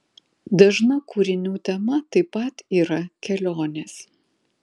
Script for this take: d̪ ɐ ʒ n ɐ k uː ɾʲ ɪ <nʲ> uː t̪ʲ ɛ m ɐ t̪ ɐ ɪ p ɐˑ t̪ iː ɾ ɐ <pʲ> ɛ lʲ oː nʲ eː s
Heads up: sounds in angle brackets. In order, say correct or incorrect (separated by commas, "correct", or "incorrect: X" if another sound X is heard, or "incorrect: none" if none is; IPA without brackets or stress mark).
correct, incorrect: kʲ